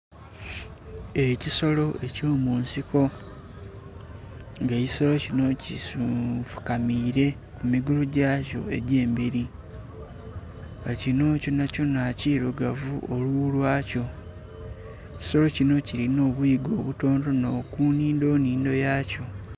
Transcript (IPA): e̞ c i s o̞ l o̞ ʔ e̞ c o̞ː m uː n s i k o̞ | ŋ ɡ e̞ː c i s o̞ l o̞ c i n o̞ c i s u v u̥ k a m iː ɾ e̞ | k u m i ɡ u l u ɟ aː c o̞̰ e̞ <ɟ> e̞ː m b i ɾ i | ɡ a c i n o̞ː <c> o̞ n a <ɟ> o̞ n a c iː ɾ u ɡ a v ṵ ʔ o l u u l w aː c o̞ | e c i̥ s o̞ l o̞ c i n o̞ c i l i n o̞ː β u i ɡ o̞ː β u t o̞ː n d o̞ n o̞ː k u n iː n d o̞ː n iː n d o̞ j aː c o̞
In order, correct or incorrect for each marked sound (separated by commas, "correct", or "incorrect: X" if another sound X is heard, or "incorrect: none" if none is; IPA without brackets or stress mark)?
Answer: correct, correct, incorrect: c